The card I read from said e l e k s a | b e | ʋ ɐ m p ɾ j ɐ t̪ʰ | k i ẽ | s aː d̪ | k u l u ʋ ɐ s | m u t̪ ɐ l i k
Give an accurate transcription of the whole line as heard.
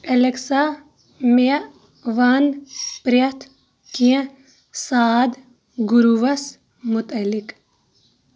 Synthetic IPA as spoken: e l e k s a | m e | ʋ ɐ n p ɾ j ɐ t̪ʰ | k i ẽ | s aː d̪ | ɡ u ɾ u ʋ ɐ s | m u t̪ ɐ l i k